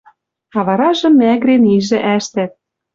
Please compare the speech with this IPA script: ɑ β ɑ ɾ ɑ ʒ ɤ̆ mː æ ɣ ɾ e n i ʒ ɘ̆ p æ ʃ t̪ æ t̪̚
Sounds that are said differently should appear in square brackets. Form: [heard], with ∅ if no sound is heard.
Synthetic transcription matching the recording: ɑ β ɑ ɾ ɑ ʒ ɤ̆ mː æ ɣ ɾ e n i ʒ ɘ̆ [ʔ] æ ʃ t̪ æ t̪̚